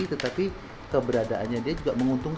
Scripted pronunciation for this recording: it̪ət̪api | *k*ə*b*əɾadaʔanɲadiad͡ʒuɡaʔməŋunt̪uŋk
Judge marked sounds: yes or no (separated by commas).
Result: yes, yes